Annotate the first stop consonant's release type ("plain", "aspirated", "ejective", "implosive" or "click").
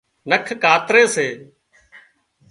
aspirated